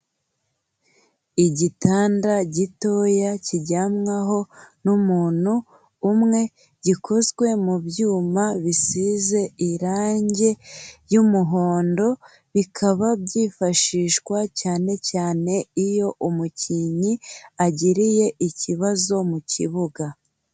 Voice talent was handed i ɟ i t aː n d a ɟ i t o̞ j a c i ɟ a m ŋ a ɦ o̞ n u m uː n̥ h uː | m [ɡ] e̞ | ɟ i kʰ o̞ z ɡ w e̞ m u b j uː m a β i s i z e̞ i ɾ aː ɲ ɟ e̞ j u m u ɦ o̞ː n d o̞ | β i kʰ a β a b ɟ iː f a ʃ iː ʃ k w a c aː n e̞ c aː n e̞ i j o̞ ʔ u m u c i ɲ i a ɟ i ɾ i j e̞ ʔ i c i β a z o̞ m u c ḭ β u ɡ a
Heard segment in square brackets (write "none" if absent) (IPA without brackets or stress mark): ŋ